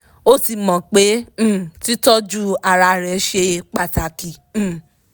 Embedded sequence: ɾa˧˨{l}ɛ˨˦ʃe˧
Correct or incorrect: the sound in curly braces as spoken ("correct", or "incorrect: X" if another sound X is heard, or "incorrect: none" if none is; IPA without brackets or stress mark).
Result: incorrect: ɾ